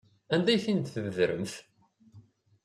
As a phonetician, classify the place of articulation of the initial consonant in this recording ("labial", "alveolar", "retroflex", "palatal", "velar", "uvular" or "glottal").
alveolar